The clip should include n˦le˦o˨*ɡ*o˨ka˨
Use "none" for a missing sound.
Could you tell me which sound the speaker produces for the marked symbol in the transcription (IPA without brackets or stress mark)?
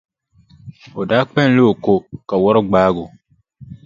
k